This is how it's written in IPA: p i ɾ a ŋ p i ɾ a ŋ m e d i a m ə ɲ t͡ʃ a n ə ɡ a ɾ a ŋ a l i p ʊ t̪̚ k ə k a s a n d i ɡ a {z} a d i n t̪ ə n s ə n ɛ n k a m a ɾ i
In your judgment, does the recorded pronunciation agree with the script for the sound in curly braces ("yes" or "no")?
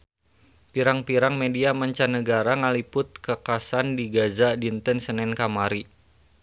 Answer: yes